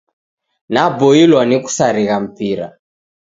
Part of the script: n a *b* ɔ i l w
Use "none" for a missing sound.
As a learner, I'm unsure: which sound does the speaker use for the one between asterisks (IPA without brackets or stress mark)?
b